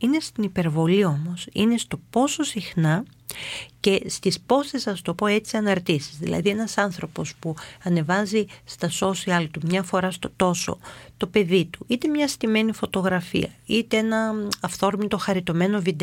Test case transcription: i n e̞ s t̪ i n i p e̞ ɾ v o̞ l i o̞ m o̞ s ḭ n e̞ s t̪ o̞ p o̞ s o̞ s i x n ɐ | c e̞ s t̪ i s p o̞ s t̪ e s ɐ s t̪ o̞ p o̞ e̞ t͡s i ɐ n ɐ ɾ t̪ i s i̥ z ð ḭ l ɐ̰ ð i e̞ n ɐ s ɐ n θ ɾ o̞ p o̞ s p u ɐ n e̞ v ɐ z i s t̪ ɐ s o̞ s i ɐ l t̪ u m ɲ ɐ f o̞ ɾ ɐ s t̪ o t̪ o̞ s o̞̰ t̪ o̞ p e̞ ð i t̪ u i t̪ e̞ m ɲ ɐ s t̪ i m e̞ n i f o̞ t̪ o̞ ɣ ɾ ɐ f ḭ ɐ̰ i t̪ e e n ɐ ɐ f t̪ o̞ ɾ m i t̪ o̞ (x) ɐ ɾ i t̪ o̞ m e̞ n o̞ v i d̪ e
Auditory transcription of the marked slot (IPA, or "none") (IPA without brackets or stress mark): x